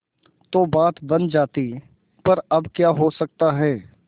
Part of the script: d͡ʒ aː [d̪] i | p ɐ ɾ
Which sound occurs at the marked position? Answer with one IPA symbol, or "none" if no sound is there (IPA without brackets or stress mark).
t̪